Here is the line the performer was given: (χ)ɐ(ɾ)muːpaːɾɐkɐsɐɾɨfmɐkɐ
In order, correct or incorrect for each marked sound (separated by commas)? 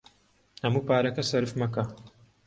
incorrect, incorrect